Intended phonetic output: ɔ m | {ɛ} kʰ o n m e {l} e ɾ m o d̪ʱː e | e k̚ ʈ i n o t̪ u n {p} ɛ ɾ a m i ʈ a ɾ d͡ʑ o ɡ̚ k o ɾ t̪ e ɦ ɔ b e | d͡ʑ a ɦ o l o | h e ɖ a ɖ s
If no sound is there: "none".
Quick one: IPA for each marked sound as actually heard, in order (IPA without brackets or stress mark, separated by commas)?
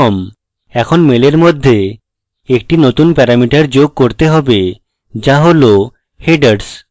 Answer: ɛ, l, p